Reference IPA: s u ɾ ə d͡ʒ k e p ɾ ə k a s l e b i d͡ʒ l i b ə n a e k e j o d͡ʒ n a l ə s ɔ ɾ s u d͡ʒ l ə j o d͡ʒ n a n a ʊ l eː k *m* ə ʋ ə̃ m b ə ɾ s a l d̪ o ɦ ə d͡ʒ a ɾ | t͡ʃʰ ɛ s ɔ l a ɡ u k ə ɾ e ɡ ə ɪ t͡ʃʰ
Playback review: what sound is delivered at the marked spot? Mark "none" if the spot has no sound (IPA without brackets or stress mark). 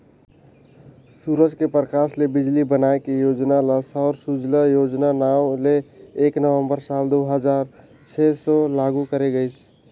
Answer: n